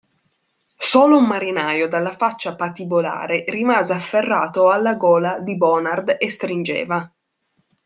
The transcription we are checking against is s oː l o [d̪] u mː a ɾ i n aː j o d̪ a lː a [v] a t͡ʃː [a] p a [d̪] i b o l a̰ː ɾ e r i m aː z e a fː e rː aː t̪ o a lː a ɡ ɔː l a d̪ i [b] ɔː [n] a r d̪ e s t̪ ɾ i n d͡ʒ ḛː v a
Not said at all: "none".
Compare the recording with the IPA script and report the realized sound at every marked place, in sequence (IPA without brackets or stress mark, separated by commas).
none, f, a, t̪, b, n